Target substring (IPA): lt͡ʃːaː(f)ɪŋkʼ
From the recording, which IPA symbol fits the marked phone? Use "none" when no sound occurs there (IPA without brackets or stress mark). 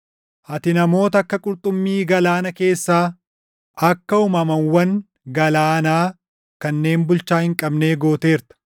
h